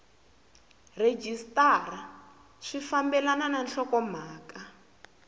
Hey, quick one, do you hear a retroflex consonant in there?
yes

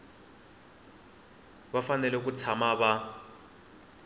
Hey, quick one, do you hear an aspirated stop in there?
yes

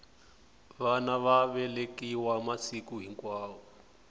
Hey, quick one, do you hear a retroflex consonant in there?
no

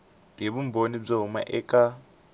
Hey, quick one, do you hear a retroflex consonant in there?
yes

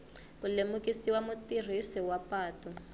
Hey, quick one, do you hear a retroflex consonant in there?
no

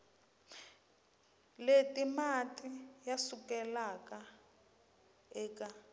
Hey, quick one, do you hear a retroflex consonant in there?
no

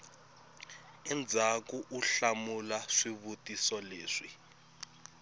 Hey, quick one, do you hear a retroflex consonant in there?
yes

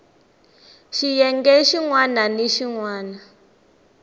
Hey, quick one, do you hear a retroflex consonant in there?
no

